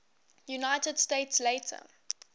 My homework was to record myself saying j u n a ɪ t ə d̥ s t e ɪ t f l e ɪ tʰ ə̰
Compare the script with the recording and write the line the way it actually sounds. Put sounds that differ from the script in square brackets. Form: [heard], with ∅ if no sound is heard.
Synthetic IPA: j u n a ɪ t ə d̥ s t e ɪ t [s] l e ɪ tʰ ə̰